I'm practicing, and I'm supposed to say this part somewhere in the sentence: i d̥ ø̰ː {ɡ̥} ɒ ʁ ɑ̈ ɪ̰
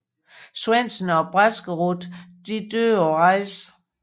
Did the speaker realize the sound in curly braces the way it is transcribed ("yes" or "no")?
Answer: no